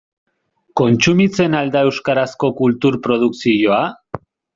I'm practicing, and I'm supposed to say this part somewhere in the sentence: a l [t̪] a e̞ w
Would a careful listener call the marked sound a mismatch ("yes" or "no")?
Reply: yes